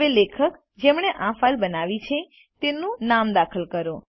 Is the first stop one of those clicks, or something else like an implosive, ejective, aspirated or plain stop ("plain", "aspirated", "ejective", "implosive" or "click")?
aspirated